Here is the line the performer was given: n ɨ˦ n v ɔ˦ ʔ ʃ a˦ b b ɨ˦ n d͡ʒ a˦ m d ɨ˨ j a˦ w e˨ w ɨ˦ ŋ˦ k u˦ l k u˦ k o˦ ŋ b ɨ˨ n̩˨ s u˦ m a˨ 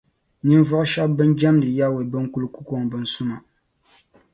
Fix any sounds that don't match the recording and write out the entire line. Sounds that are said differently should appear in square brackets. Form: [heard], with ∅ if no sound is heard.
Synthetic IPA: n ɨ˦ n v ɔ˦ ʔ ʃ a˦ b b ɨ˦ n d͡ʒ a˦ m d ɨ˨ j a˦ w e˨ [b] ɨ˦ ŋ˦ k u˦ l k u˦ k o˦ ŋ b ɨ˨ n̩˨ s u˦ m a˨